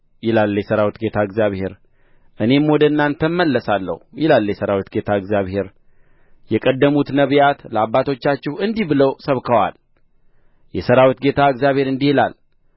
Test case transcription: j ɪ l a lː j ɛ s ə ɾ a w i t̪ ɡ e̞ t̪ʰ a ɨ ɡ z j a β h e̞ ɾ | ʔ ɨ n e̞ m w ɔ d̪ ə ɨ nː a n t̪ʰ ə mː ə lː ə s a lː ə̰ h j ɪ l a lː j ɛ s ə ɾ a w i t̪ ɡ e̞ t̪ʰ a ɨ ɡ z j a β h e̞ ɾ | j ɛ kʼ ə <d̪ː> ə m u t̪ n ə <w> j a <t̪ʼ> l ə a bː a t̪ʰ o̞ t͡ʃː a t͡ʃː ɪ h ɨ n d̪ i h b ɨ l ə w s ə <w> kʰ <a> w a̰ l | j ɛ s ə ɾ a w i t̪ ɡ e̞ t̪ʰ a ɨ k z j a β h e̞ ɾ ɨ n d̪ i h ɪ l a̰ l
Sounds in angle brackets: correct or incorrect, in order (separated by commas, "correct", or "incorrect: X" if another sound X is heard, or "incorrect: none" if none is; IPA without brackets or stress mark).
correct, incorrect: β, incorrect: t̪, incorrect: β, incorrect: ə